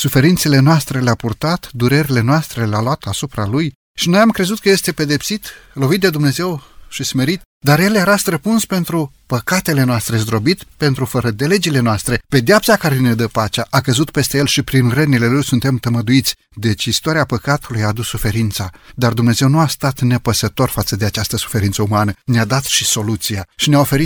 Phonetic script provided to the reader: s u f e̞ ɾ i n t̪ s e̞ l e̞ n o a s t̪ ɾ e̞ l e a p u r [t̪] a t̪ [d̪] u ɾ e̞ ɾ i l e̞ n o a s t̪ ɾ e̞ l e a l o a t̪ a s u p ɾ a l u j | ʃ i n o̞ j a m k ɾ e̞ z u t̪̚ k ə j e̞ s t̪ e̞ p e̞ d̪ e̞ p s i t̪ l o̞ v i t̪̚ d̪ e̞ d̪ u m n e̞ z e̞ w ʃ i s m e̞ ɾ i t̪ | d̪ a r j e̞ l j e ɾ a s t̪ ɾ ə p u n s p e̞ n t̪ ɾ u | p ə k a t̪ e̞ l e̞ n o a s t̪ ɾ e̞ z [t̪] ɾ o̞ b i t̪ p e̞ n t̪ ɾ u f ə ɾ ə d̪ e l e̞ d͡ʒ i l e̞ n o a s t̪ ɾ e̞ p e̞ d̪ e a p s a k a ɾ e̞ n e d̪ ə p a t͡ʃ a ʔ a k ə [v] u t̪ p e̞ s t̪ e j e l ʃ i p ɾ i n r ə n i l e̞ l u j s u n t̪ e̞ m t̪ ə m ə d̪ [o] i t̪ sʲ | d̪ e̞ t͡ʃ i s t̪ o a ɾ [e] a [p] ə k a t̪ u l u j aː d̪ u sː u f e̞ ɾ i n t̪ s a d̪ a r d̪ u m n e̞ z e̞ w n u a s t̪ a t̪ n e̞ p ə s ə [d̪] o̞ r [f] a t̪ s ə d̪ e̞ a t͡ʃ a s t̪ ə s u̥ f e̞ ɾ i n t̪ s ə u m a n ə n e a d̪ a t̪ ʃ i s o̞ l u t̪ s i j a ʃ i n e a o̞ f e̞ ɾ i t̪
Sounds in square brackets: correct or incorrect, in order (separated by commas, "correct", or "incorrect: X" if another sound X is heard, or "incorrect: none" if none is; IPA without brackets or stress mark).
correct, correct, incorrect: d̪, incorrect: z, incorrect: u, incorrect: i, correct, incorrect: t̪, correct